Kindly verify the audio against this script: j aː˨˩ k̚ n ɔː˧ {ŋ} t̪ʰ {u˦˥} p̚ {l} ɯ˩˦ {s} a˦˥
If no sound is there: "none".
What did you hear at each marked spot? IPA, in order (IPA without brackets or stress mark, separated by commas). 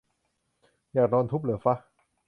n, u˦˥, l, f